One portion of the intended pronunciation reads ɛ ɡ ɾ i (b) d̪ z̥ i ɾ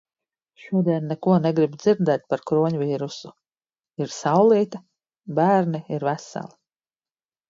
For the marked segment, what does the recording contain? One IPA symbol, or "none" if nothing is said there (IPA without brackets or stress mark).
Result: b